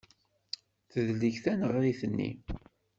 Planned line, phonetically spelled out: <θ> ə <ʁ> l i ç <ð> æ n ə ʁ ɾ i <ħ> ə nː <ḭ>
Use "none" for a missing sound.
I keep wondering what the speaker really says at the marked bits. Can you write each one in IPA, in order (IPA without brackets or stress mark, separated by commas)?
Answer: θ, ð, θ, θ, ḭ